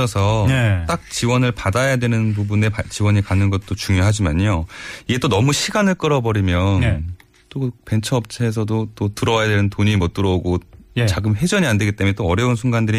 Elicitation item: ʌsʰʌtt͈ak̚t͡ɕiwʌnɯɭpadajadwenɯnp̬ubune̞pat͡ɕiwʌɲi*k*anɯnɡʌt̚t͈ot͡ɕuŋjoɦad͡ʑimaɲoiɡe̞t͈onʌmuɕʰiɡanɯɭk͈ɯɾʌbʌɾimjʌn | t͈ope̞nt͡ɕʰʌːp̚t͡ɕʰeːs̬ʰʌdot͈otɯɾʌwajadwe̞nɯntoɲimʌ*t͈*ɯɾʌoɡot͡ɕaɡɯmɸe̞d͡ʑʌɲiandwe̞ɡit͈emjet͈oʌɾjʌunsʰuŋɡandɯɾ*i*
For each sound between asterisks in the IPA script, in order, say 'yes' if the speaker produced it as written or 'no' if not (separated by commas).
yes, yes, yes